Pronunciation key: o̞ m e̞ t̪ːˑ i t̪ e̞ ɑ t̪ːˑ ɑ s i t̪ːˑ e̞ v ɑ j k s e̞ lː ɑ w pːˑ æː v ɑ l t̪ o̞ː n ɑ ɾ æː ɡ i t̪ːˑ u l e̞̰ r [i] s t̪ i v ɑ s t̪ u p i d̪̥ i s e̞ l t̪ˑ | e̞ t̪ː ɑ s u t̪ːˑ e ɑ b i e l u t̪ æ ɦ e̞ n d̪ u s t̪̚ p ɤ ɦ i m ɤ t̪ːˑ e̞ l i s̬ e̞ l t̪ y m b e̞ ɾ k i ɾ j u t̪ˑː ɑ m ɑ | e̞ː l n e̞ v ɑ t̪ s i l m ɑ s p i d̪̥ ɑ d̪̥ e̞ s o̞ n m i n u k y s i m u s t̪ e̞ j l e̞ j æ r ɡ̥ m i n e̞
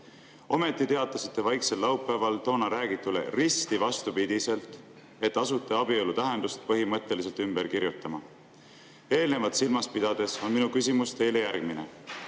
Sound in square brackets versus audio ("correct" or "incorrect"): correct